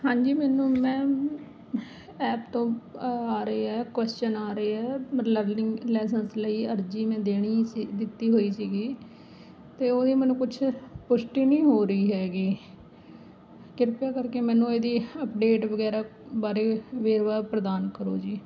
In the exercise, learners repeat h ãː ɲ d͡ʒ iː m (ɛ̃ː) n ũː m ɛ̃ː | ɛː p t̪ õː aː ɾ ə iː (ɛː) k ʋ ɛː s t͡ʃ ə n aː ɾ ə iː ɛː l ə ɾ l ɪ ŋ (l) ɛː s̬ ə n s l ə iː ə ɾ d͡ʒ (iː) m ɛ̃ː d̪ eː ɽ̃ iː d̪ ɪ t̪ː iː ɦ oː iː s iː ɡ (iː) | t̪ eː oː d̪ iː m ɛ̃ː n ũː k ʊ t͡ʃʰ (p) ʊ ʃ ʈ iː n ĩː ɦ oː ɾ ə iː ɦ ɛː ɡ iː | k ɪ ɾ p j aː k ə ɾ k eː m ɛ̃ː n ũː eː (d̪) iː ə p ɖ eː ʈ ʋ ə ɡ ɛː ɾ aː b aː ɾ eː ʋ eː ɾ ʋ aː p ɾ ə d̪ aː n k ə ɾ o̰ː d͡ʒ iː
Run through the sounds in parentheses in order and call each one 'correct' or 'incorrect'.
incorrect: ɛː, correct, correct, correct, correct, correct, correct

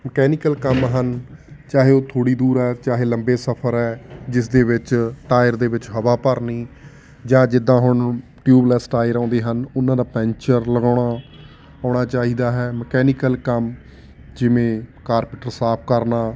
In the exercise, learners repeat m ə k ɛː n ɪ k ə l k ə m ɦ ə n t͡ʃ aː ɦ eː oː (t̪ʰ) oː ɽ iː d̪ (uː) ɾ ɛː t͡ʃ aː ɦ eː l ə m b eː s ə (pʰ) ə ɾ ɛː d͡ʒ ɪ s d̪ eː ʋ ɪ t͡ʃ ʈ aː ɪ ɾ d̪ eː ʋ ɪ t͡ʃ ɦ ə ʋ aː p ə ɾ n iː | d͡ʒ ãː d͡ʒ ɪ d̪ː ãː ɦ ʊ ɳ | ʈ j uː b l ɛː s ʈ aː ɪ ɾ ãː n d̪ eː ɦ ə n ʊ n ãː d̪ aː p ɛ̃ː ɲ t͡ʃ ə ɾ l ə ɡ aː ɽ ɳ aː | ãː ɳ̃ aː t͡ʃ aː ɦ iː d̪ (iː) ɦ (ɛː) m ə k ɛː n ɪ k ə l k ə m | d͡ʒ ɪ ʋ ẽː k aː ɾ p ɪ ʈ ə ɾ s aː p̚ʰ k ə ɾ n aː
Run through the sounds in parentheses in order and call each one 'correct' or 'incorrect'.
correct, correct, correct, incorrect: aː, correct

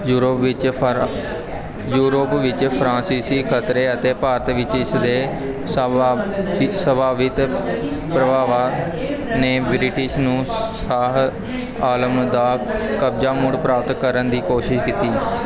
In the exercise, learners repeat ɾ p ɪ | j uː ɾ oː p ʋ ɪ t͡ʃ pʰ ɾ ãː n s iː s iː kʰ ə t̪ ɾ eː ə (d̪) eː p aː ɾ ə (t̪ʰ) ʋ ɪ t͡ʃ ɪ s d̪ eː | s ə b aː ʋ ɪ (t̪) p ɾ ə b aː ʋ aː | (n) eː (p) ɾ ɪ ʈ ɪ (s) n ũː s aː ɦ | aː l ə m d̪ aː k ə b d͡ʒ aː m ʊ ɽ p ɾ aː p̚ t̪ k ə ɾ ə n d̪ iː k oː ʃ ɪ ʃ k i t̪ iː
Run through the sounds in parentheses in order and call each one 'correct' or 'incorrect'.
incorrect: t̪, incorrect: t̪, correct, correct, incorrect: b, incorrect: ʃ

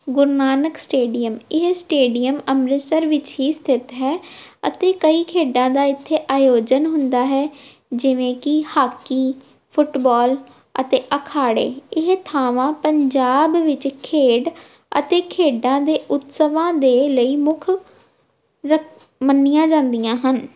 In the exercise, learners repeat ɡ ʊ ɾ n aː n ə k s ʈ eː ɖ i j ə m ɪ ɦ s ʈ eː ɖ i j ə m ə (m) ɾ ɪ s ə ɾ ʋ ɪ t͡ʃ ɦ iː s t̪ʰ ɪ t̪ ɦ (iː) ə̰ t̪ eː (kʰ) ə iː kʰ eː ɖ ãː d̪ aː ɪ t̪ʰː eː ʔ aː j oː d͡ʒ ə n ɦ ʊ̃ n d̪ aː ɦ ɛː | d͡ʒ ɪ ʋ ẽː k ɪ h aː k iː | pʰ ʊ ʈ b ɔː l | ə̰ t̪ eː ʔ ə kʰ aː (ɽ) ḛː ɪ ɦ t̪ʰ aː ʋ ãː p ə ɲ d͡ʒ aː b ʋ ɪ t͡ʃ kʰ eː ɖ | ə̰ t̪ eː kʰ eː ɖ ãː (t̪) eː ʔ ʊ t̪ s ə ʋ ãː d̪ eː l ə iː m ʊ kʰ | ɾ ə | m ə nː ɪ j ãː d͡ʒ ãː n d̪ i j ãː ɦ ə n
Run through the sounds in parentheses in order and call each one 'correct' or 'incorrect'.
correct, incorrect: ɛː, incorrect: k, correct, incorrect: d̪

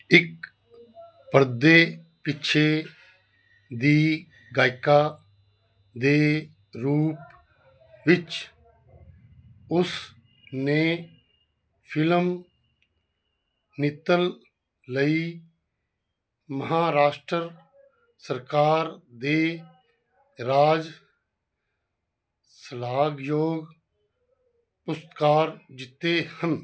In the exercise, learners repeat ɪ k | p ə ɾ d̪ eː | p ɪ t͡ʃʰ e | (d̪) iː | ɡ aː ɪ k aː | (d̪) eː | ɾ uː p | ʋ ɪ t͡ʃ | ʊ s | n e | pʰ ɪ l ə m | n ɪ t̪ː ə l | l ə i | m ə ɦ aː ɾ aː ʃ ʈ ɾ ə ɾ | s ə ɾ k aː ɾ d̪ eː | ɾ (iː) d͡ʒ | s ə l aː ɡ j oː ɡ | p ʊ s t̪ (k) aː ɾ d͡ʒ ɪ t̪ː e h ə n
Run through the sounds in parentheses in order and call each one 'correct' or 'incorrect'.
correct, correct, incorrect: aː, correct

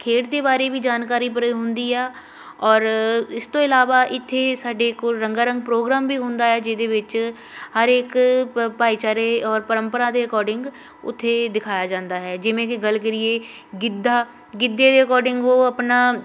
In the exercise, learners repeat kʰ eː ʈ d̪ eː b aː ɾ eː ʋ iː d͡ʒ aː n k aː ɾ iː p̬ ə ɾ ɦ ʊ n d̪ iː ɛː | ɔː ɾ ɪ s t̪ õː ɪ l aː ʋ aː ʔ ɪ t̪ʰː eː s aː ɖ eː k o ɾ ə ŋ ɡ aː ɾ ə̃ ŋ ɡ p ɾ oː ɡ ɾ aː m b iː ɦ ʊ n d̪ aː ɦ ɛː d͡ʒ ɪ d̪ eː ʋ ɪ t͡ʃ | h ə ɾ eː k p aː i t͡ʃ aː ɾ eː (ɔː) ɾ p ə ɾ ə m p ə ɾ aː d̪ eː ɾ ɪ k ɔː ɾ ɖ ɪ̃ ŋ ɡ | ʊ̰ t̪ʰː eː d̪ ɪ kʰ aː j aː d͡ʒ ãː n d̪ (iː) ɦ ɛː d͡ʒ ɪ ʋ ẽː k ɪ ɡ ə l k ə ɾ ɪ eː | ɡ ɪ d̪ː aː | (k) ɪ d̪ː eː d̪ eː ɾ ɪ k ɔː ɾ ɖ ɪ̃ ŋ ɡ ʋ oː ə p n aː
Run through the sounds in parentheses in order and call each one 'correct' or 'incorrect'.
correct, incorrect: aː, incorrect: ɡ

